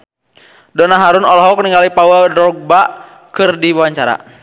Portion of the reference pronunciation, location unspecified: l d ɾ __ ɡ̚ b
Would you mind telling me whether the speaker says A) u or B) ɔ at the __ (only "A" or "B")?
B